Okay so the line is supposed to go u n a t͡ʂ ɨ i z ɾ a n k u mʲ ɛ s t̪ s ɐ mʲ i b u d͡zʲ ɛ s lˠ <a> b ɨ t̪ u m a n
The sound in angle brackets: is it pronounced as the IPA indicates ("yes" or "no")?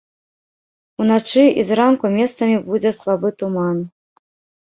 yes